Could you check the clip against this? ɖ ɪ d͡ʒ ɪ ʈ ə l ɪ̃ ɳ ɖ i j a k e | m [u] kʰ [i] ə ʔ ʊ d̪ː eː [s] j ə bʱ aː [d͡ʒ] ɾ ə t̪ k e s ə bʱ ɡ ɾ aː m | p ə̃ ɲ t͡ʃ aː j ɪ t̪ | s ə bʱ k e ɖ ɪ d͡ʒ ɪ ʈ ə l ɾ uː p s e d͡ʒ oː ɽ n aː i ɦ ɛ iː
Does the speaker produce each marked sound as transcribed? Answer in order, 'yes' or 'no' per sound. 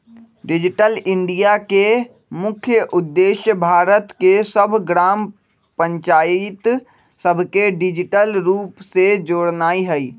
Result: no, no, no, no

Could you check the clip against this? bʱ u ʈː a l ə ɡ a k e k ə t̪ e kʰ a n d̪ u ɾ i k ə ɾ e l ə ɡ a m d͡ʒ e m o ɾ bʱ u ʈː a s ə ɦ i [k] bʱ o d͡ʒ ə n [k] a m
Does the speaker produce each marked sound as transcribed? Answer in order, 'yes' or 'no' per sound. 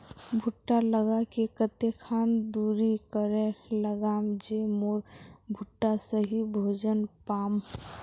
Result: no, no

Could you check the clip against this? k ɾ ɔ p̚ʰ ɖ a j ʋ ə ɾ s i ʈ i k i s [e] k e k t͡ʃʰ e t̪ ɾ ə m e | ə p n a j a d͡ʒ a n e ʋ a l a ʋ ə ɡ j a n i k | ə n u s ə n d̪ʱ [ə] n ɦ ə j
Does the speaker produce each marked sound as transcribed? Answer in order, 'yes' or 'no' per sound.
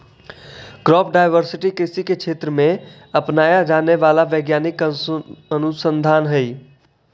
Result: no, no

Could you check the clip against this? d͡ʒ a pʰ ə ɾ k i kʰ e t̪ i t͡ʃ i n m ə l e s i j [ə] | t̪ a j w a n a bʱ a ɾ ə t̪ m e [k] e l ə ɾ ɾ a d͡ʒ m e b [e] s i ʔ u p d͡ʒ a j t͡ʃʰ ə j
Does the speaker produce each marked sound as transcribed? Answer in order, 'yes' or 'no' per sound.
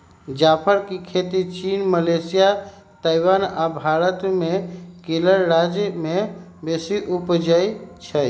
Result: no, yes, yes

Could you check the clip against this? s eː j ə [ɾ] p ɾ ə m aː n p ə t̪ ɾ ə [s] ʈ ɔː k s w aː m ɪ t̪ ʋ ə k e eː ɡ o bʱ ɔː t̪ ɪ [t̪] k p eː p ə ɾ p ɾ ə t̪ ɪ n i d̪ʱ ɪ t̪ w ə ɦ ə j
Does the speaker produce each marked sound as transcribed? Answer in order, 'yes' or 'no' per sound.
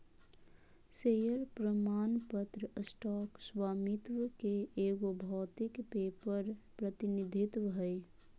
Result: yes, yes, no

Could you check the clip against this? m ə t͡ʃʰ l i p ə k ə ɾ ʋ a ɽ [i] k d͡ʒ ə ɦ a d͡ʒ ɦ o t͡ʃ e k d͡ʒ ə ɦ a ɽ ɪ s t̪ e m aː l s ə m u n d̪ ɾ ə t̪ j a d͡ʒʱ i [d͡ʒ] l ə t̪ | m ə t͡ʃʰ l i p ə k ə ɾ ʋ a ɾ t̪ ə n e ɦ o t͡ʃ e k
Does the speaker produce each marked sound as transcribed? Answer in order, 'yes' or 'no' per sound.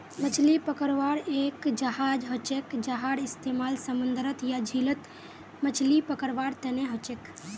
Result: no, no

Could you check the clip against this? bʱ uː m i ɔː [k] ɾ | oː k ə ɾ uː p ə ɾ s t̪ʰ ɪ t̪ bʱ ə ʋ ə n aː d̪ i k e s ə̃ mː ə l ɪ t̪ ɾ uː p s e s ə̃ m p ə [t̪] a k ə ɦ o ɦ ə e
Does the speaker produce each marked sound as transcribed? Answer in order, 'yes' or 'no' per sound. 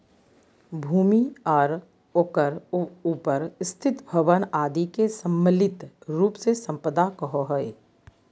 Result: no, no

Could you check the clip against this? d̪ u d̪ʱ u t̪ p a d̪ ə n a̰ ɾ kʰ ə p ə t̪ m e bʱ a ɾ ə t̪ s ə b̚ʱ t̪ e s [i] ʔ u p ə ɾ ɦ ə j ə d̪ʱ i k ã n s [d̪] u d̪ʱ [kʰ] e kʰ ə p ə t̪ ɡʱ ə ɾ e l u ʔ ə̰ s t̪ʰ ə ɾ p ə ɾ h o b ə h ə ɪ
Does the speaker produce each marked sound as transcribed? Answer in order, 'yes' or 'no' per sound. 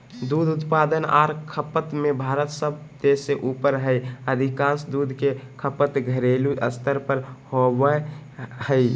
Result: no, yes, no

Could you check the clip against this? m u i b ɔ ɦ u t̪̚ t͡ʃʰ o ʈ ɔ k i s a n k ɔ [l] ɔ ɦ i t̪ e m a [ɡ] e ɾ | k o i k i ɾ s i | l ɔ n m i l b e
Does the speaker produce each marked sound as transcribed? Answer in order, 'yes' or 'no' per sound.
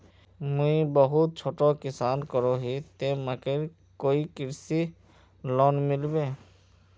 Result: no, no

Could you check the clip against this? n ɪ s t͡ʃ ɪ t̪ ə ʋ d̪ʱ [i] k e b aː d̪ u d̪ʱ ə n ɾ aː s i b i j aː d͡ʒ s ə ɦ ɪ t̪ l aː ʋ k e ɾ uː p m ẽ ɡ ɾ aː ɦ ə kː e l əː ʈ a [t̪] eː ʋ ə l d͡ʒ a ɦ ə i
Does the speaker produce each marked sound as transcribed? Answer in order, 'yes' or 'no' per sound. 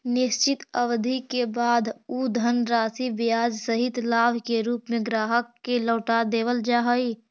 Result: yes, no

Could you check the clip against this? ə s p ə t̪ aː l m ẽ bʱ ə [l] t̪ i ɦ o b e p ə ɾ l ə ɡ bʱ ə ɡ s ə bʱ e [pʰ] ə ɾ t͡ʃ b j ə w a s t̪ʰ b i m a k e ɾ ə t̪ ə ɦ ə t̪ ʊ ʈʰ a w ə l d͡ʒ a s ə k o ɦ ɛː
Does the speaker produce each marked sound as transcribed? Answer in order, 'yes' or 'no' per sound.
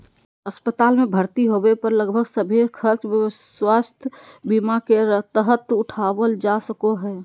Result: no, no

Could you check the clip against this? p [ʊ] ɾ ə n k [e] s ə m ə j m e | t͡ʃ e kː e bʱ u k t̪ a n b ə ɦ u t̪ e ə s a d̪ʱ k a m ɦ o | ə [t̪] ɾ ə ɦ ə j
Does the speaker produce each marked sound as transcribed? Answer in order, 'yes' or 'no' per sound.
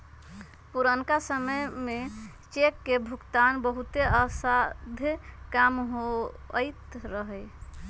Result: no, no, yes

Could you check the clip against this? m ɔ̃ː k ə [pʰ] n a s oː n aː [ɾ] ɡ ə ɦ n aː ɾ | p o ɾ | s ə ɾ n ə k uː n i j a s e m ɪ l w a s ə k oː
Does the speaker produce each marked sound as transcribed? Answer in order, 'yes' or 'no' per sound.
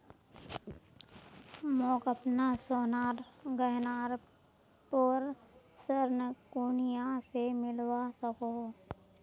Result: no, yes

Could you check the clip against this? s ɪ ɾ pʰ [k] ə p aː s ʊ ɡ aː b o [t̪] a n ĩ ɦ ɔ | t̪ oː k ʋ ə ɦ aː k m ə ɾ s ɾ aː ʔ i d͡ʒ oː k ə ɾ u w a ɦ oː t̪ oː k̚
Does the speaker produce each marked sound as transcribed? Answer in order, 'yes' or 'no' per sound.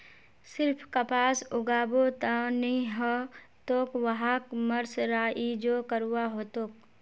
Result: yes, yes

